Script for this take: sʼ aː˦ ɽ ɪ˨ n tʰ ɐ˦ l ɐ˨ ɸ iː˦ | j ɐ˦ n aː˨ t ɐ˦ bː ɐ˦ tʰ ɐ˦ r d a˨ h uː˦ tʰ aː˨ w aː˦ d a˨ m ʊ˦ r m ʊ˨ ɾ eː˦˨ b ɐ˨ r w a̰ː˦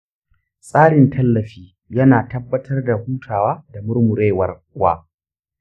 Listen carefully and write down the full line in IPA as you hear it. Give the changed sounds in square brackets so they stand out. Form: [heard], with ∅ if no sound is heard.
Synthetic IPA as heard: sʼ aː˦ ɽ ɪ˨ n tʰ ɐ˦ [lː] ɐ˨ ɸ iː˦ | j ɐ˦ n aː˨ t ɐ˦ bː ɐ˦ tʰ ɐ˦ r d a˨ h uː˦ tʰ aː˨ w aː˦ d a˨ m ʊ˦ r m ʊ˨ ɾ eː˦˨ [w] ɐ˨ r w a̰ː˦